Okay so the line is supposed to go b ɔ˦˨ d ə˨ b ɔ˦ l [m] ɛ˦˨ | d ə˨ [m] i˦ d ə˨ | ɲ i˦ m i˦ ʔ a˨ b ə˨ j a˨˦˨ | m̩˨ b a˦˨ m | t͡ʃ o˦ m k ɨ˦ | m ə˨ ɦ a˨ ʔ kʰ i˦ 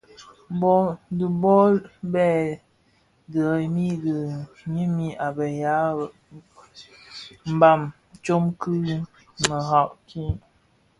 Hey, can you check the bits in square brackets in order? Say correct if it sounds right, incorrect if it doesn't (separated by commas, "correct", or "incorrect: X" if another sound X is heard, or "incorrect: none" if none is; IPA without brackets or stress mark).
incorrect: b, correct